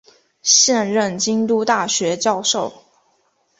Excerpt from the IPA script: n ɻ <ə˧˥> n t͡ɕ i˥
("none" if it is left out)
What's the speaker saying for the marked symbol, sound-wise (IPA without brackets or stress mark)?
ə˥˩